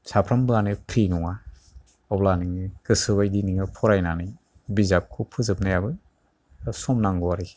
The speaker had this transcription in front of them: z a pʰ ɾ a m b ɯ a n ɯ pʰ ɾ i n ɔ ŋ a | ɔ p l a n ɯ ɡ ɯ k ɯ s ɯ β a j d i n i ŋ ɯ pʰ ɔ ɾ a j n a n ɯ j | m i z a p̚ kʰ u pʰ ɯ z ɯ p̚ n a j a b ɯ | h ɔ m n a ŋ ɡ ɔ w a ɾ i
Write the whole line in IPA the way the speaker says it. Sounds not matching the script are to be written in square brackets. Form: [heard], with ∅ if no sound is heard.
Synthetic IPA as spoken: [s] a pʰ ɾ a m b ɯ a n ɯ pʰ ɾ i n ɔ ŋ a | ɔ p l a n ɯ [ŋ] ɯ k ɯ s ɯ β a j d i n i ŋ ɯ pʰ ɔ ɾ a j n a n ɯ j | [b] i z a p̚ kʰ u pʰ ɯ z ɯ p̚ n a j a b ɯ | [s] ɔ m n a ŋ ɡ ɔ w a ɾ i